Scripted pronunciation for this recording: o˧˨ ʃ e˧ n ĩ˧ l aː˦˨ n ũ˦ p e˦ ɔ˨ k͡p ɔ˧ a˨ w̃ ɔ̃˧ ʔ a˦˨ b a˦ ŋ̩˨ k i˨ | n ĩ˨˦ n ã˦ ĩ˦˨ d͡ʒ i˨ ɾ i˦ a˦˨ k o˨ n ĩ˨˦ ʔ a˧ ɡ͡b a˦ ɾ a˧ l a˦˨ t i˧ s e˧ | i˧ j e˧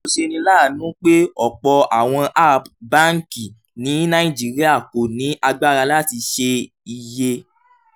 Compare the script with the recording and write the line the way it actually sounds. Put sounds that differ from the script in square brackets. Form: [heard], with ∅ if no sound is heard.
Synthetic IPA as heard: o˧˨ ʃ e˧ n ĩ˧ l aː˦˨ n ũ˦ [k͡p] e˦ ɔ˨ k͡p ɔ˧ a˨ w̃ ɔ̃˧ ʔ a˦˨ b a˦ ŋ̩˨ k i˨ | n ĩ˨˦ n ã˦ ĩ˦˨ d͡ʒ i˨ ɾ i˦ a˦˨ k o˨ n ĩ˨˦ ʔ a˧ ɡ͡b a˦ ɾ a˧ l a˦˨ t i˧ [ʃ] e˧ | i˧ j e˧